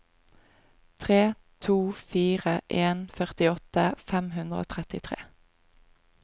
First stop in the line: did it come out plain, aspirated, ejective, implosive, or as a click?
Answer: aspirated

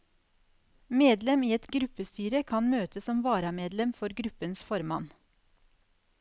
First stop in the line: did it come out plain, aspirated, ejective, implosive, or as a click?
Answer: plain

